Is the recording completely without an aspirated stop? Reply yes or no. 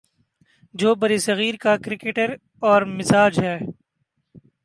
yes